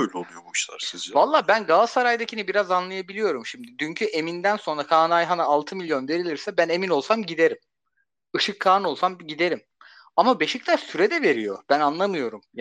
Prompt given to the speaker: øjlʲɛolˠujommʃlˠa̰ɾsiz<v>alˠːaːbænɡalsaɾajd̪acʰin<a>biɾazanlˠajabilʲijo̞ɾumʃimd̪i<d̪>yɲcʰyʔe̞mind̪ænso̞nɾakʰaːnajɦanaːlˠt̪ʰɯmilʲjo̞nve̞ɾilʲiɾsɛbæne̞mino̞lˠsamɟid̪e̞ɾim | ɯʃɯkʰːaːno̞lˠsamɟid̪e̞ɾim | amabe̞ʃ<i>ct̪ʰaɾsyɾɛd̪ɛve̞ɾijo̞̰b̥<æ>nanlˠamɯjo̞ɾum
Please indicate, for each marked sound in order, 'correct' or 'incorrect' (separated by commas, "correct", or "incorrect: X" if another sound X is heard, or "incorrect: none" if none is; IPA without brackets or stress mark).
correct, incorrect: i, correct, correct, correct